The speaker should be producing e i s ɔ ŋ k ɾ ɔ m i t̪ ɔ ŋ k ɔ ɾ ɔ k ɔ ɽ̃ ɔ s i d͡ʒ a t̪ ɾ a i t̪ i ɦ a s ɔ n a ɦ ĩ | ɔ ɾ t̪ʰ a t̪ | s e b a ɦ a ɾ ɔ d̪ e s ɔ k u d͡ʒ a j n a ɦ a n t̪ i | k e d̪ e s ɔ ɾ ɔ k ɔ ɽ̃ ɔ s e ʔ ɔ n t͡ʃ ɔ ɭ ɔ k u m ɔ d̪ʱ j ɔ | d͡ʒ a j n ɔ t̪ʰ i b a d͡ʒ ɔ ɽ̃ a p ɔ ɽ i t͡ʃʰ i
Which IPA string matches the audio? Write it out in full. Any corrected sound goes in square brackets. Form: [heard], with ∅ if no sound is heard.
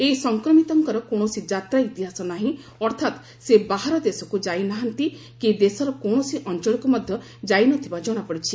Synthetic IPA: e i s ɔ ŋ k ɾ ɔ m i t̪ ɔ ŋ k ɔ ɾ ɔ k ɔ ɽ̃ ɔ s i d͡ʒ a t̪ ɾ a i t̪ i ɦ a s ɔ n a ɦ ĩ | ɔ ɾ t̪ʰ a t̪ | s e b a ɦ a ɾ ɔ d̪ e s ɔ k u d͡ʒ a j n a ɦ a n t̪ i | k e d̪ e s ɔ ɾ ɔ k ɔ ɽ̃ ɔ s [i] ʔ ɔ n t͡ʃ ɔ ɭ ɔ k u m ɔ d̪ʱ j ɔ | d͡ʒ a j n ɔ t̪ʰ i b a d͡ʒ ɔ ɽ̃ a p ɔ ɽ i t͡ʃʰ i